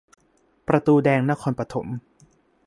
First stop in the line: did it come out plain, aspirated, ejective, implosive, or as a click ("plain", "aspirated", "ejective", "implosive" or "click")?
plain